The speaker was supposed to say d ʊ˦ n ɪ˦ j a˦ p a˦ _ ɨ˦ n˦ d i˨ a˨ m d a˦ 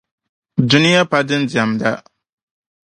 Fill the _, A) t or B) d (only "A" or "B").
B